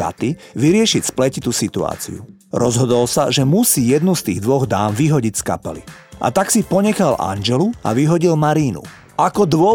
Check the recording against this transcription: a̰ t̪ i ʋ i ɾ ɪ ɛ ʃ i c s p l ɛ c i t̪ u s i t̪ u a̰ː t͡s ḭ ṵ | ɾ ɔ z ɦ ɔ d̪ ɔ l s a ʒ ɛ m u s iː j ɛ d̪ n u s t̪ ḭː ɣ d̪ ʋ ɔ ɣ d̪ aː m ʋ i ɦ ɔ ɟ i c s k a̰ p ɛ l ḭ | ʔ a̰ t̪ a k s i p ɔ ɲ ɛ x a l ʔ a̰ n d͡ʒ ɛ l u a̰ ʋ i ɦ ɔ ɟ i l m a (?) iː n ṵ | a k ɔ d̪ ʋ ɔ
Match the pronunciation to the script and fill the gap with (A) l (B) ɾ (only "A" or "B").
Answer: B